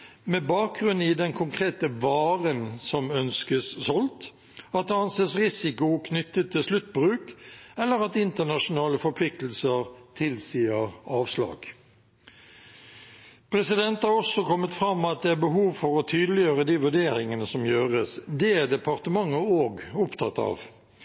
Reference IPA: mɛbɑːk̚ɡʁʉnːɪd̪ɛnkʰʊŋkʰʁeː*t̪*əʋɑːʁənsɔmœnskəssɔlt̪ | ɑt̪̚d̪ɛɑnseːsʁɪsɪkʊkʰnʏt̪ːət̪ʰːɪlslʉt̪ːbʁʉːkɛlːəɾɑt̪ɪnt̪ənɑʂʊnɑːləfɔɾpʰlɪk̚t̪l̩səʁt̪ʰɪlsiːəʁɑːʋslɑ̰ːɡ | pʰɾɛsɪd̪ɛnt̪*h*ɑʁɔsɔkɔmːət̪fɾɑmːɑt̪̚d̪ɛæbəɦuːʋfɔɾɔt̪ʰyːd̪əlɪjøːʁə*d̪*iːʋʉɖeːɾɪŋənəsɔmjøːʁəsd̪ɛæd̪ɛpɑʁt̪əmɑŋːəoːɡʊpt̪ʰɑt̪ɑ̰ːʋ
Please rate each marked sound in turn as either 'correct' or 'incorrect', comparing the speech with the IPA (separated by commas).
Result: correct, correct, correct